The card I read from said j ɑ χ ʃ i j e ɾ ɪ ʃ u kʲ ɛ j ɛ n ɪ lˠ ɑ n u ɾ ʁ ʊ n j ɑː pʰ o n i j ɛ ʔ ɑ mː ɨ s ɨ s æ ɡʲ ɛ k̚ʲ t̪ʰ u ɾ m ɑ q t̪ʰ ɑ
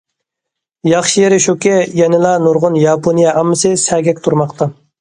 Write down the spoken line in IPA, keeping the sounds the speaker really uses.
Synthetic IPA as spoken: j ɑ χ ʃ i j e ɾ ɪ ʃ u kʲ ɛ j ɛ n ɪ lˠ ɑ n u ɾ ʁ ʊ n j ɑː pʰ o n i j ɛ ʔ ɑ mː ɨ s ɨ s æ ɡʲ ɛ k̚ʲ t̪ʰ u ɾ m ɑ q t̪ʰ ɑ

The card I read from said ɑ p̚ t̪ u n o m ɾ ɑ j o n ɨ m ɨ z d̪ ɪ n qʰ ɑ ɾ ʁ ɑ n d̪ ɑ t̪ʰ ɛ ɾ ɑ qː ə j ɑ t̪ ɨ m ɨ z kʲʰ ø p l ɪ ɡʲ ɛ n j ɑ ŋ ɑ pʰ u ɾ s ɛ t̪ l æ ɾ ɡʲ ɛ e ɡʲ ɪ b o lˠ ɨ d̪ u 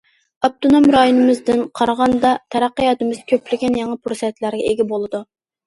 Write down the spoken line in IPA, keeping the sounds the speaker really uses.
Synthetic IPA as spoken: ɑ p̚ t̪ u n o m ɾ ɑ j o n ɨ m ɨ z d̪ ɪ n qʰ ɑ ɾ ʁ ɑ n d̪ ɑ t̪ʰ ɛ ɾ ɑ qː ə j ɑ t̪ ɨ m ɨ z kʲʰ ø p l ɪ ɡʲ ɛ n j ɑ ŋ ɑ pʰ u ɾ s ɛ t̪ l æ ɾ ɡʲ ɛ e ɡʲ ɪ b o lˠ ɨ d̪ u

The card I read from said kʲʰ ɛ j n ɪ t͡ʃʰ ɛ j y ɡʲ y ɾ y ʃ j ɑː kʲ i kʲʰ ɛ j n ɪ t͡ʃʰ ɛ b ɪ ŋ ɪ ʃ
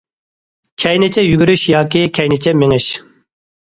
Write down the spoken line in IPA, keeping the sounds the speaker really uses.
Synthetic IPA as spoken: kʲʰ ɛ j n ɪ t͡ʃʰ ɛ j y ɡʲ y ɾ y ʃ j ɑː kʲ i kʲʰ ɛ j n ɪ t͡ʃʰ ɛ m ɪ ŋ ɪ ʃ

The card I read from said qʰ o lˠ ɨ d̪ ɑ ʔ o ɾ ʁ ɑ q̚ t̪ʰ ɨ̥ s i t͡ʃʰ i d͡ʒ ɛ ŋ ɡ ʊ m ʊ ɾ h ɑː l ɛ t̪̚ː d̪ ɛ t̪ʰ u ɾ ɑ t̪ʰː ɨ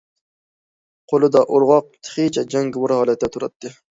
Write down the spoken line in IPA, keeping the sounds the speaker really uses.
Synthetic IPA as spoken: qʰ o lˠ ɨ d̪ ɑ ʔ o ɾ ʁ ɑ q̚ t̪ʰ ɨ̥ χ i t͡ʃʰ ɛ d͡ʒ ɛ ŋ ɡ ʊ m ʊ ɾ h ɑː l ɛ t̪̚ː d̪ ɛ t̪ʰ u ɾ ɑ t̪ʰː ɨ

